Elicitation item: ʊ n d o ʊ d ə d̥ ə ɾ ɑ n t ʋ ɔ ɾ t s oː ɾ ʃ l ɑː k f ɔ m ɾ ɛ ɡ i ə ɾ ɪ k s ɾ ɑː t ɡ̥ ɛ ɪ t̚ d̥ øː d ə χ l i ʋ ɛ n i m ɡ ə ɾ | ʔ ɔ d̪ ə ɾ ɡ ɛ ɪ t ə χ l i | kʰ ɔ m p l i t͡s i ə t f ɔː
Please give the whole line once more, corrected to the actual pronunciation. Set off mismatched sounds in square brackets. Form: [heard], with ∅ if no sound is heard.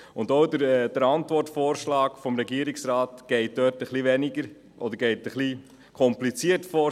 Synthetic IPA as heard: ʊ n d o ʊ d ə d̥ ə ɾ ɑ n t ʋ ɔ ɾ t [f] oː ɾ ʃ l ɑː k f ɔ m ɾ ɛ ɡ i ə ɾ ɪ k s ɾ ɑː t ɡ̥ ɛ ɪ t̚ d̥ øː [t] ə χ l i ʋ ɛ n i [∅] ɡ ə ɾ | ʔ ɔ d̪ ə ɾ ɡ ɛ ɪ t ə χ l i | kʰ ɔ m p l i t͡s i ə t f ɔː